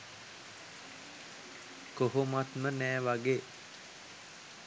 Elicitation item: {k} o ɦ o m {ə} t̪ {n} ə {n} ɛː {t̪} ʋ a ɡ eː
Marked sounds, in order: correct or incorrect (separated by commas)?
correct, incorrect, incorrect, correct, incorrect